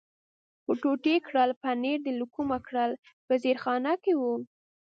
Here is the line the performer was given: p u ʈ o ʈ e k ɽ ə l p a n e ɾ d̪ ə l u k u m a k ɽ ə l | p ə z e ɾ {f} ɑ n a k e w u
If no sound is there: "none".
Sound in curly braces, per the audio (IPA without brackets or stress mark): x